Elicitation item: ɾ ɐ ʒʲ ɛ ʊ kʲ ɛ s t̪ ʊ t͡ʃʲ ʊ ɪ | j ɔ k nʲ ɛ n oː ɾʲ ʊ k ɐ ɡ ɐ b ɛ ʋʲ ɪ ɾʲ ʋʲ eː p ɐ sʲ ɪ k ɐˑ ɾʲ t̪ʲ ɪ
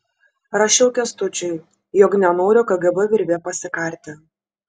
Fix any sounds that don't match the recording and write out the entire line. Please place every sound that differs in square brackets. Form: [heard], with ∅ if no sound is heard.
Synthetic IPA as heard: ɾ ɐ [ʃʲ] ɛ ʊ kʲ ɛ s t̪ ʊ t͡ʃʲ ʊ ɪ | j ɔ k nʲ ɛ n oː ɾʲ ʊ k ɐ ɡ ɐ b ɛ ʋʲ ɪ ɾʲ ʋʲ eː p ɐ sʲ ɪ k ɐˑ ɾʲ t̪ʲ ɪ